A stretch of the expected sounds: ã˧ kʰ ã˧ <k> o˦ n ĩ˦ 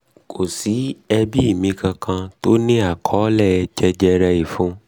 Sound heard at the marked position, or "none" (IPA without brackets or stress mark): t